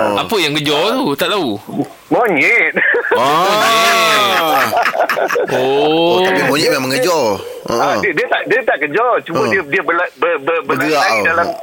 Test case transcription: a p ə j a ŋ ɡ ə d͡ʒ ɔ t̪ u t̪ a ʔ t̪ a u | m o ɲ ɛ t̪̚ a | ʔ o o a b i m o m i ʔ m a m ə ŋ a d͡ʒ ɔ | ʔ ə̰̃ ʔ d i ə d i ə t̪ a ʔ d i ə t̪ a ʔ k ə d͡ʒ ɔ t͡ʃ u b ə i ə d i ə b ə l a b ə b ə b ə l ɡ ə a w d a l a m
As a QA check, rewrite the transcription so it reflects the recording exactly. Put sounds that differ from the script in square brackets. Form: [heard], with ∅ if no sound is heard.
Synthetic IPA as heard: a p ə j a ŋ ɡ ə d͡ʒ ɔ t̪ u t̪ a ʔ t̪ a u | m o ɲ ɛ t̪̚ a | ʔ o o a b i m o [ɲ] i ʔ m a m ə ŋ [ə] d͡ʒ ɔ | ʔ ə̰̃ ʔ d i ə d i ə t̪ a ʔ d i ə t̪ a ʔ k ə d͡ʒ ɔ t͡ʃ u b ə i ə d i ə b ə l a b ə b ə b ə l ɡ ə a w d a l a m